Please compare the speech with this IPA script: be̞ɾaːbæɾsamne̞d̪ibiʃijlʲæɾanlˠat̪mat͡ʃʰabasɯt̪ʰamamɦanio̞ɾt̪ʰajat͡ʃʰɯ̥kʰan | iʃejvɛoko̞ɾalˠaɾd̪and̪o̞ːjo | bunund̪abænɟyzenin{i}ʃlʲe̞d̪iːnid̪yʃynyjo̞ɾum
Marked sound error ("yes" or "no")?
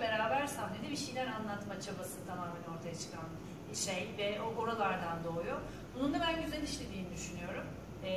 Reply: no